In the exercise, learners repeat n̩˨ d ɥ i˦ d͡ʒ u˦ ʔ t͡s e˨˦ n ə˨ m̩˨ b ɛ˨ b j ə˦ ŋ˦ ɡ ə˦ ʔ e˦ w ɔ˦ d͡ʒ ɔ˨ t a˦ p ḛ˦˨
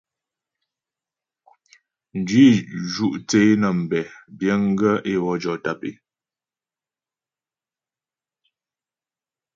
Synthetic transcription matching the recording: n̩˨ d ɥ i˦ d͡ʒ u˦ ʔ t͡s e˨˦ n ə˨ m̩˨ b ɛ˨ b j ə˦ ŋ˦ ɡ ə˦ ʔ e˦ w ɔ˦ d͡ʒ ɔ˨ t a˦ p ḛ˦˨